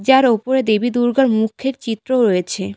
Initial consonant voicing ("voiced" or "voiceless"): voiced